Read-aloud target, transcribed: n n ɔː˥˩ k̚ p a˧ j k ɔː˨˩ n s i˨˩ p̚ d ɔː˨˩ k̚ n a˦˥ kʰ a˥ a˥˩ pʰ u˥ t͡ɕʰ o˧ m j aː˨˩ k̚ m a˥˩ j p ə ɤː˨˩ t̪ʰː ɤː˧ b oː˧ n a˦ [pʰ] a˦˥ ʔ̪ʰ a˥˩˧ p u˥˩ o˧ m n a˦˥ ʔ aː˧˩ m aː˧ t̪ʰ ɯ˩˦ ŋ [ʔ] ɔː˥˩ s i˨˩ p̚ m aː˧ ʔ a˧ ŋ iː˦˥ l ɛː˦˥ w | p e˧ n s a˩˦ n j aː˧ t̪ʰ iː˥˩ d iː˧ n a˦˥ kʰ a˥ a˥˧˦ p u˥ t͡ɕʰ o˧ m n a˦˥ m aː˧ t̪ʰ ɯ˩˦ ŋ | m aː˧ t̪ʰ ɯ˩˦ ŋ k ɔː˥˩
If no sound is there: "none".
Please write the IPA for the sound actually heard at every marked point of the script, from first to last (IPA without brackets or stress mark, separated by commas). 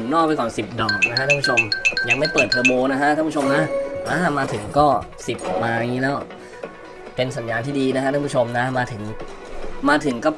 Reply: kʰ, k